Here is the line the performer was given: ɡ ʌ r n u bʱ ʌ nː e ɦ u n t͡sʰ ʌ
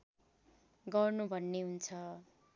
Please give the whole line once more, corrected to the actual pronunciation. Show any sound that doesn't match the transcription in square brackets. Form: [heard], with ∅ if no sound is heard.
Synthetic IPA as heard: ɡ ʌ r n u bʱ ʌ nː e ɦ u n t͡sʰ ʌ